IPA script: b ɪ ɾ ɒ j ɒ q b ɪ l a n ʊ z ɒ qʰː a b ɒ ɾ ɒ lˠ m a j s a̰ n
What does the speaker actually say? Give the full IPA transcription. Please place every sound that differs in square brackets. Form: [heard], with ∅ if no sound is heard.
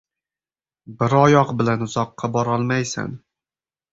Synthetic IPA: b ɪ ɾ ɒ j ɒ q b ɪ l a n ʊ z ɒ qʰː [ɑ] b ɒ ɾ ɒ lˠ m a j s a̰ n